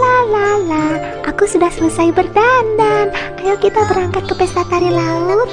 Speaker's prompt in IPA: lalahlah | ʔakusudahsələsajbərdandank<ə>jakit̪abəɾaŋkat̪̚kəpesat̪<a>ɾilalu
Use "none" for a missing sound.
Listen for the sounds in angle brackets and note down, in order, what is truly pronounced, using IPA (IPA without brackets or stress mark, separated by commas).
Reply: a, a